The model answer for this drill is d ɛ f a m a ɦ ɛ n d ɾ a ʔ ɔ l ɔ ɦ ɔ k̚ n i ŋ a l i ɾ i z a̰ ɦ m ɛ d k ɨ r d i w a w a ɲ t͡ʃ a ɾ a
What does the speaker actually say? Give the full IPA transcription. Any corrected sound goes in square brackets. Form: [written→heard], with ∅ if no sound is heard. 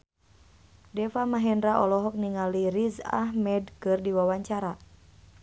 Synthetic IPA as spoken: d ɛ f a m a ɦ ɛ n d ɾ a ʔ ɔ l ɔ ɦ ɔ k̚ n i ŋ a l i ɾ i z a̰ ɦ m ɛ d k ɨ r d i w a w a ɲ t͡ʃ a ɾ a